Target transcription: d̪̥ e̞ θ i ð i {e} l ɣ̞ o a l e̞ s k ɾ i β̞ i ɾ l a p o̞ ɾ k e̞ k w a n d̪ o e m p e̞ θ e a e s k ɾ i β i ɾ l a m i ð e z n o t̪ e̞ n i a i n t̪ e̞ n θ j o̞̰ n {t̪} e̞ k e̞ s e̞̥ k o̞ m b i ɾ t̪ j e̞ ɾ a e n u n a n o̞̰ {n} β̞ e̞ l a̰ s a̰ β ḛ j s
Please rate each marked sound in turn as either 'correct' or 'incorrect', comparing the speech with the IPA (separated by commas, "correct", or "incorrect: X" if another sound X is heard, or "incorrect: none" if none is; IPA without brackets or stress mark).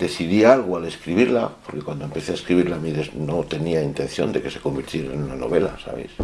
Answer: incorrect: a, incorrect: d̪, incorrect: none